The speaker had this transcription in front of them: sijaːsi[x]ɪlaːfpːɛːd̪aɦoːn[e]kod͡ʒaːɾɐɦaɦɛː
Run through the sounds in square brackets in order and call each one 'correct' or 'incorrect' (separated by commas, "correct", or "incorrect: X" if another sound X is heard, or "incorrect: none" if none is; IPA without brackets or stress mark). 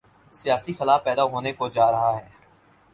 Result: correct, correct